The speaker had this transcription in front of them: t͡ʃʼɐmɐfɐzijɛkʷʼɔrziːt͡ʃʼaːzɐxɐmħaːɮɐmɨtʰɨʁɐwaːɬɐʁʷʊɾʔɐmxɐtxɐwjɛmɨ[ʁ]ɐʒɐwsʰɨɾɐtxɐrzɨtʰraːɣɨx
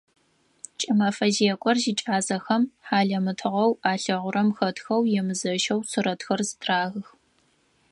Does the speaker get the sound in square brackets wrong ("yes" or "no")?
yes